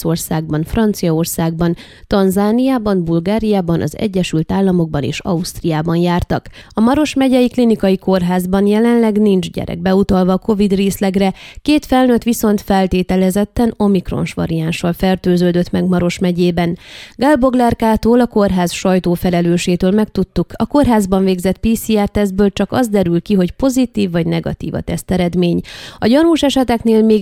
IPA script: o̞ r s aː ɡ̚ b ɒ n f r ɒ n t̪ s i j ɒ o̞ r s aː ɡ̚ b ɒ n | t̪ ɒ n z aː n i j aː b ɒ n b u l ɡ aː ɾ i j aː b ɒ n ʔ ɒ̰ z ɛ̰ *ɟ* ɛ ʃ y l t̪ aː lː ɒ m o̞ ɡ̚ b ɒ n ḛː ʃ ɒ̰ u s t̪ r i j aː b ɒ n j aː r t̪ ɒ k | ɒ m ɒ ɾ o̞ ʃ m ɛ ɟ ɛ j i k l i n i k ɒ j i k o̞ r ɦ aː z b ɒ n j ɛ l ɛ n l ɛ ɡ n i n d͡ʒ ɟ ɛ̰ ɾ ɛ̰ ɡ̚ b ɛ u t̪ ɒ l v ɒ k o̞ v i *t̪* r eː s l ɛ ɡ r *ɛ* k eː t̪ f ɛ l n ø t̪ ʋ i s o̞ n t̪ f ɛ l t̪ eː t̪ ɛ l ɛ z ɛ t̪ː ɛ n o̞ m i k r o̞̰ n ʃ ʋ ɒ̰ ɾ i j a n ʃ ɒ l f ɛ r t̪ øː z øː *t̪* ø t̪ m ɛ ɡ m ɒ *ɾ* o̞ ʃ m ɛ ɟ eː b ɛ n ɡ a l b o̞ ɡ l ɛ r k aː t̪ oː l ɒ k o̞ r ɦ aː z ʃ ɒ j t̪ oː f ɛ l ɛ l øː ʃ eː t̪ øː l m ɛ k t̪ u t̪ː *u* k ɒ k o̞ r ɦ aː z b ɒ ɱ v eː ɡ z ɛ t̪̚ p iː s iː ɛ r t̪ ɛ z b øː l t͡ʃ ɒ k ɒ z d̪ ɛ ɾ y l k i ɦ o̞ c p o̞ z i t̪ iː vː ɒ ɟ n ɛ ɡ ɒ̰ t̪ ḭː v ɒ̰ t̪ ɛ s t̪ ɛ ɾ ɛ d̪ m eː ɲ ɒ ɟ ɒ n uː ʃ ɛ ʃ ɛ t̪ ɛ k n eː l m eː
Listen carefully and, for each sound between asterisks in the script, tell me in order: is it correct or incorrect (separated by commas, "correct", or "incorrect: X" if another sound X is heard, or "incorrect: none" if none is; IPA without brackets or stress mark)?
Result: incorrect: ɟː, incorrect: d̪, correct, incorrect: d̪, correct, correct